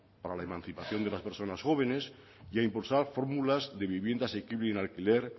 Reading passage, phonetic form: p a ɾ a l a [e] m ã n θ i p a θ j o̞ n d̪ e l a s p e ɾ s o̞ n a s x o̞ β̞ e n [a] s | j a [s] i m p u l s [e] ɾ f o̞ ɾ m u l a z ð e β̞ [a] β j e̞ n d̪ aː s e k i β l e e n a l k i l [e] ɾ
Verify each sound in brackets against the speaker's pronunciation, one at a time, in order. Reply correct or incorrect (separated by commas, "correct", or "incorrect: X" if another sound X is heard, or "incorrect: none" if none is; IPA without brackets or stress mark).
correct, incorrect: e, incorrect: none, incorrect: a, incorrect: i, correct